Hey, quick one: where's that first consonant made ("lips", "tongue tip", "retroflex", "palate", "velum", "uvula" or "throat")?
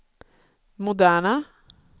lips